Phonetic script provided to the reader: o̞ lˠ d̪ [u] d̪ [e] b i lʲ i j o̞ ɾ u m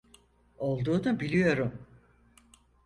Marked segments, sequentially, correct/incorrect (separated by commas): incorrect, incorrect